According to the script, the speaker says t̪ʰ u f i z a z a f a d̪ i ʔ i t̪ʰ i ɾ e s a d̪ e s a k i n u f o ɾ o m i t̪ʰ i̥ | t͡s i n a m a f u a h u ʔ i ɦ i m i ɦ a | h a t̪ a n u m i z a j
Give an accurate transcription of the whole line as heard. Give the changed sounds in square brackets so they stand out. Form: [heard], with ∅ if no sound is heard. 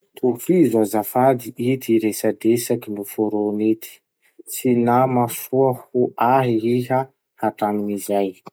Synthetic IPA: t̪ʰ u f i z a z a f a d̪ i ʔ i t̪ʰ i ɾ e s a d̪ e s a k i n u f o ɾ o [n] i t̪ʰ i̥ | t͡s i n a m a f u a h u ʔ [a] ɦ i [∅] i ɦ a | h a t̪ a n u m i z a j